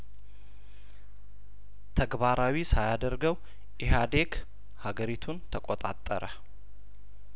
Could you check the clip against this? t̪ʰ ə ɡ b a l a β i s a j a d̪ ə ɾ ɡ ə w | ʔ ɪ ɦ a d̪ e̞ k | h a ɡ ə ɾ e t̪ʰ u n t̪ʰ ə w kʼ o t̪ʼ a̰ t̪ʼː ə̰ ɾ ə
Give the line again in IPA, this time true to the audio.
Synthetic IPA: t̪ʰ ə ɡ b a ɾ a w i s a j a d̪ ə ɾ ɡ ə w | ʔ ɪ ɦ a d̪ e̞ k | h a ɡ ə ɾ i t̪ʰ u n t̪ʰ ə kʼ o t̪ʼ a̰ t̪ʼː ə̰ ɾ ə